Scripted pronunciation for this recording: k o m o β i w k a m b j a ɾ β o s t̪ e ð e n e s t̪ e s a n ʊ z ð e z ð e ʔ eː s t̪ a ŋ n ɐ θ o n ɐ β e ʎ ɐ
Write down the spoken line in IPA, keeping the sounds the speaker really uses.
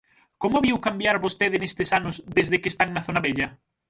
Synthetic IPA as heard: k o m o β i w k a m b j a ɾ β o s t̪ e ð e n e s t̪ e s a n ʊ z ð e z ð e k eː s t̪ a ŋ n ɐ θ o n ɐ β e ʎ ɐ